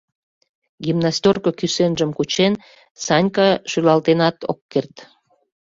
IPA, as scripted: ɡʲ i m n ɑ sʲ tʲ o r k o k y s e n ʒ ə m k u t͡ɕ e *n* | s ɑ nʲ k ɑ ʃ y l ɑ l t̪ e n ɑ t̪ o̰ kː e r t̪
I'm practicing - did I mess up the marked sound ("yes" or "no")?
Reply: no